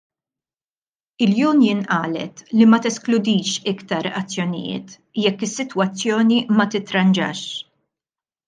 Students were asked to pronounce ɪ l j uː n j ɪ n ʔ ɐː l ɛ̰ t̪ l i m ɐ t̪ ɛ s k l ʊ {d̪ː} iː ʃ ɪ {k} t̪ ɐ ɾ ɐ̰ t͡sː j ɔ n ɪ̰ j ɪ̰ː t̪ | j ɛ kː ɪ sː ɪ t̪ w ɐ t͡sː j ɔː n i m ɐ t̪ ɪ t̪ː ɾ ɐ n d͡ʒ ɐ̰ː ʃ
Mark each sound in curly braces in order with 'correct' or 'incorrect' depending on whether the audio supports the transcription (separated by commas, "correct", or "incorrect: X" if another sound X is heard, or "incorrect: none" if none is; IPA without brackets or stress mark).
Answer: incorrect: d̪, correct